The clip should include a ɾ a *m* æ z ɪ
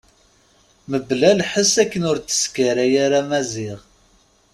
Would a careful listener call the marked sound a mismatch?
no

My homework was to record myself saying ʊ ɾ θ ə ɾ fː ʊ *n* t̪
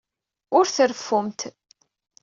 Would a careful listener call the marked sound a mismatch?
yes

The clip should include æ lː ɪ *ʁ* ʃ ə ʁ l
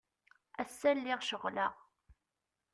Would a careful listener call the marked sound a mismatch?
no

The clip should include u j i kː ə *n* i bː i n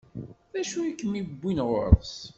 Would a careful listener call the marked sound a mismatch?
yes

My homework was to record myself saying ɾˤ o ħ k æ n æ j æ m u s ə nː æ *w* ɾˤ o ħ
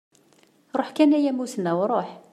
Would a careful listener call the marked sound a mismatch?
no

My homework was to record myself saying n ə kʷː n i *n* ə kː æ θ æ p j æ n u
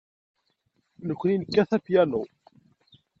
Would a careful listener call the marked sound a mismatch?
no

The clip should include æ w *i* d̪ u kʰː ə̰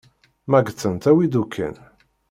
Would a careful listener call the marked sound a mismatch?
no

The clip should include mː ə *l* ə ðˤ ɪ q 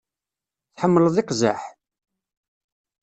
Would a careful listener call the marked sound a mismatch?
no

